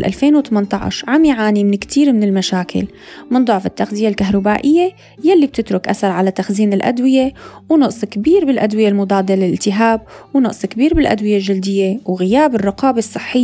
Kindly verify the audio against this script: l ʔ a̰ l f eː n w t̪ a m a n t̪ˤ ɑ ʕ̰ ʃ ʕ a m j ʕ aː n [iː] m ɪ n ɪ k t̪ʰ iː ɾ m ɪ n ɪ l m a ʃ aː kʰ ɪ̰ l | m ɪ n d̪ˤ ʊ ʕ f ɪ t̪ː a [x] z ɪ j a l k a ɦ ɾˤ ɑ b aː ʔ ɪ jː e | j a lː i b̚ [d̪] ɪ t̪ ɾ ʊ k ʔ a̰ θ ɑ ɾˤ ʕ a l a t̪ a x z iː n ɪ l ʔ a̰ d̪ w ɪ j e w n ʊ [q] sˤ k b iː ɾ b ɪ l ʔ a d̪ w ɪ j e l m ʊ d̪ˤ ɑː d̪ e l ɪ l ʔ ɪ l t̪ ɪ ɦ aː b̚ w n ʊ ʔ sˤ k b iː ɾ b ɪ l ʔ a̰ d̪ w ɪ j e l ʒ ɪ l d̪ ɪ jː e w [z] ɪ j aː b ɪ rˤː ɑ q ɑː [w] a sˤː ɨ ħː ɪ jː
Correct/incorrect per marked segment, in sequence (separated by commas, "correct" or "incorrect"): incorrect, correct, incorrect, incorrect, incorrect, incorrect